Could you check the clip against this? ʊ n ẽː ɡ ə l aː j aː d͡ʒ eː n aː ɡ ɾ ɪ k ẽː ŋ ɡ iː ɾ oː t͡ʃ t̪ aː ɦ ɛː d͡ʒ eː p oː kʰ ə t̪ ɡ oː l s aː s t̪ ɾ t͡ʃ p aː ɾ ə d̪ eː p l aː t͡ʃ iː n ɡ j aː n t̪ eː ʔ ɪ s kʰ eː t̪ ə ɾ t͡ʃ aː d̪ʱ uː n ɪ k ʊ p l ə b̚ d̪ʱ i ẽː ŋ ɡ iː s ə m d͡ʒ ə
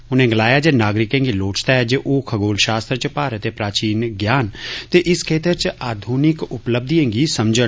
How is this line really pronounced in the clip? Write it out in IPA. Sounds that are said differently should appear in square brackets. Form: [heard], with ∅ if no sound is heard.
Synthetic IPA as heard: ʊ n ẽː ɡ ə l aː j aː d͡ʒ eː n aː ɡ ɾ ɪ k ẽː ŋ ɡ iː [l] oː t͡ʃ t̪ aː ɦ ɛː d͡ʒ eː [ʔ] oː kʰ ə [∅] ɡ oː l [ʃ] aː s t̪ ɾ t͡ʃ p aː ɾ ə [t̪] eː p [ɾ] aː t͡ʃ iː n ɡ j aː n t̪ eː ʔ ɪ s kʰ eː t̪ ə ɾ t͡ʃ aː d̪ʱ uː n ɪ k ʊ p l ə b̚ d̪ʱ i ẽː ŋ ɡ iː s ə m d͡ʒ ə